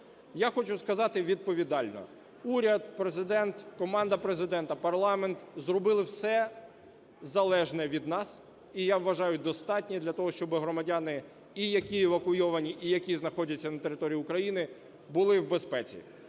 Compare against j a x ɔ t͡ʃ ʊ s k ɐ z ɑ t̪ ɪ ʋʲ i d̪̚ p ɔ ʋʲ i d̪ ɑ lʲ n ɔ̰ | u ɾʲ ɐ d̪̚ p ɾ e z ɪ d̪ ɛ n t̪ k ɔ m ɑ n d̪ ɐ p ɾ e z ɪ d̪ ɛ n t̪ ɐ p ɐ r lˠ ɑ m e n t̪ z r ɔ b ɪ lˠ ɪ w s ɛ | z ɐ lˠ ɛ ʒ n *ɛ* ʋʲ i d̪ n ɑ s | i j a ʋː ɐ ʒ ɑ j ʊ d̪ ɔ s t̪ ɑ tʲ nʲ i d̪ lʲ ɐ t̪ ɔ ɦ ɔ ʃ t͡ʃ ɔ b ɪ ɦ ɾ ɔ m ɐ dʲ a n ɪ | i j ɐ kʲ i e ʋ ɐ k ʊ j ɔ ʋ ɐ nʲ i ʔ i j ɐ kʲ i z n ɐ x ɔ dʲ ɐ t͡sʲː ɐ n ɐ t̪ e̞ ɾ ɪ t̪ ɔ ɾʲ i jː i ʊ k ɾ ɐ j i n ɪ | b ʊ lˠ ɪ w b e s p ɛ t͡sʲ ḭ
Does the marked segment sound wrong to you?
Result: no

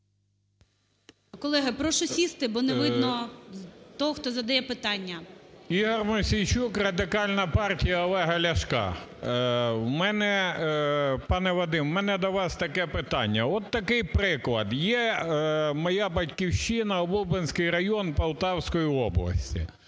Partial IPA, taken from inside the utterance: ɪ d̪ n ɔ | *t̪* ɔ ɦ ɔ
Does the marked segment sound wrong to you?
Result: no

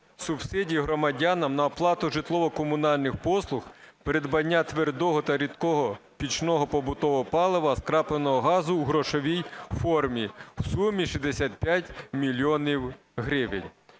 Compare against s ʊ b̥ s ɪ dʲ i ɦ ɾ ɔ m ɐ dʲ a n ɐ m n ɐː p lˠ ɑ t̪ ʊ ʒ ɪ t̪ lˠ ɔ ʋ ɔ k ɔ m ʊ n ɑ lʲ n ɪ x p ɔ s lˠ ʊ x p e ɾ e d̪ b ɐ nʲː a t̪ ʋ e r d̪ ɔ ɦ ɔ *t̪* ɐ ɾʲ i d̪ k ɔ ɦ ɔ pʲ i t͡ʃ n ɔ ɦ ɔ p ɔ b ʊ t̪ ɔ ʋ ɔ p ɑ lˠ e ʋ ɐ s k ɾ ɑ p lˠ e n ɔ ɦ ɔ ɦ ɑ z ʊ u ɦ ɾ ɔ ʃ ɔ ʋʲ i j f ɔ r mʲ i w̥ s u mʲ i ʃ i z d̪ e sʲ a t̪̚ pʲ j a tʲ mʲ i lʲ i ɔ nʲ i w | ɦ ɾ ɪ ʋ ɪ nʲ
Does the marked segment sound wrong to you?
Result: no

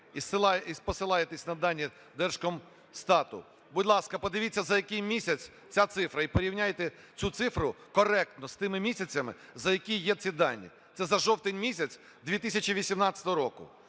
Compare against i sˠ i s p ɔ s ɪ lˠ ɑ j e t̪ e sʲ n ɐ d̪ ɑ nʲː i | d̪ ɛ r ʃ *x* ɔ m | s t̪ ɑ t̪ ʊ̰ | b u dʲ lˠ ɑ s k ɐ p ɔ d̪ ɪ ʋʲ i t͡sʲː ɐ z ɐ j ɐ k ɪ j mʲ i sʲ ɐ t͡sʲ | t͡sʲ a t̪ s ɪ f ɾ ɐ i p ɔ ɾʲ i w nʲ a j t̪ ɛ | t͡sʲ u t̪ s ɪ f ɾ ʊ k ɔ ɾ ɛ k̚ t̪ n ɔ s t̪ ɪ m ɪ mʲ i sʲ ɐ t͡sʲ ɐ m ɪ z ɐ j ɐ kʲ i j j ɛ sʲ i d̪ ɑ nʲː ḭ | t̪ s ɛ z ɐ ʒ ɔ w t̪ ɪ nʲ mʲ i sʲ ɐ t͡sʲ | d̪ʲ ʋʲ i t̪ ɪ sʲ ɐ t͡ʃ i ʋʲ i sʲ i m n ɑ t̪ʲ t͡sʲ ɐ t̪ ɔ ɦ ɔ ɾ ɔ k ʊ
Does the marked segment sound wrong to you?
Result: yes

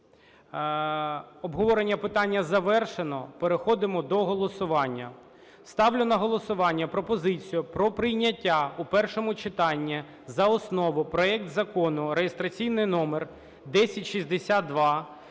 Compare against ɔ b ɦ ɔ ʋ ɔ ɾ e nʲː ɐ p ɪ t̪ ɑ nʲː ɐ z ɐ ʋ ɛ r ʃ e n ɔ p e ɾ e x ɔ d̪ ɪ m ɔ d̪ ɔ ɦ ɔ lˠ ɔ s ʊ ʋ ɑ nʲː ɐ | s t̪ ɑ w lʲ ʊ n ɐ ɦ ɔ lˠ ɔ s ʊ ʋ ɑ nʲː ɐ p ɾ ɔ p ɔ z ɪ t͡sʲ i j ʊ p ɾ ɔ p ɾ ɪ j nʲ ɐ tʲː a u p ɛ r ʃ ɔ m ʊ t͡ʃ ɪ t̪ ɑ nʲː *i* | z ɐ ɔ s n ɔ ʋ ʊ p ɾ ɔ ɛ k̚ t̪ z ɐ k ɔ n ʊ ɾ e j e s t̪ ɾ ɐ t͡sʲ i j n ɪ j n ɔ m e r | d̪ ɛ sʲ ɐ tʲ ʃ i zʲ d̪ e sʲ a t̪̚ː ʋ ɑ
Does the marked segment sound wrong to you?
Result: no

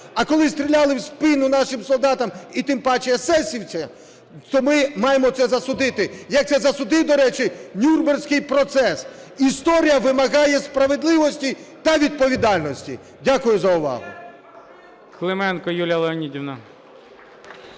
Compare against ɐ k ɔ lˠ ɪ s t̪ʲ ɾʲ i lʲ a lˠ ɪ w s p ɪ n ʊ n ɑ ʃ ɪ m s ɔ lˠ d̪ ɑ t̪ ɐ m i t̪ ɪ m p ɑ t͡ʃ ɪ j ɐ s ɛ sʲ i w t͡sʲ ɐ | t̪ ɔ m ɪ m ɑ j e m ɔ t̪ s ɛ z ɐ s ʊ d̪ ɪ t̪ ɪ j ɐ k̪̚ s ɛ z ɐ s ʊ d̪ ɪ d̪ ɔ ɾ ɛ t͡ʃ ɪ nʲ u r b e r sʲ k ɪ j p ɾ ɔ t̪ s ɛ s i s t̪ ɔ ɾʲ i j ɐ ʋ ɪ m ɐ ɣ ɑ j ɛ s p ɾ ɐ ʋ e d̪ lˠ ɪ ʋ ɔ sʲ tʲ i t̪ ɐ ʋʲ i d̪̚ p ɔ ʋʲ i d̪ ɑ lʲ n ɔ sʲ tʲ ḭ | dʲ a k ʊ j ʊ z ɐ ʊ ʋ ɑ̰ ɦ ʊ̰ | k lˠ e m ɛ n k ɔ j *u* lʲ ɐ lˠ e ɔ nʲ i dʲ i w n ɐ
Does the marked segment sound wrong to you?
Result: no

